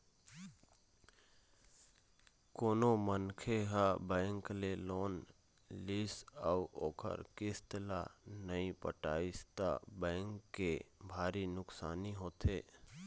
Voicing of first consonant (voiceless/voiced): voiceless